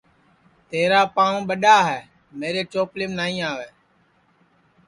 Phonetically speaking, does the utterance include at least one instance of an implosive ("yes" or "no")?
yes